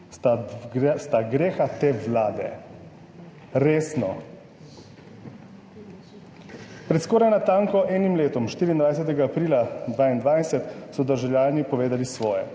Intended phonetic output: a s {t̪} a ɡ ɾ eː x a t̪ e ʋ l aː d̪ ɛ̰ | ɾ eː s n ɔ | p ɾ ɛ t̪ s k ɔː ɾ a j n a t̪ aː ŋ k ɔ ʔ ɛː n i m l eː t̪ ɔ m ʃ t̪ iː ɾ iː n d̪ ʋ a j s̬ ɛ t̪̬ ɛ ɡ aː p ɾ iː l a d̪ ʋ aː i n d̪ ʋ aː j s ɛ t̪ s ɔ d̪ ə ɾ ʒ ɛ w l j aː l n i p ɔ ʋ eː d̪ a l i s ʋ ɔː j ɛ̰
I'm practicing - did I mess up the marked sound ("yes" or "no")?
no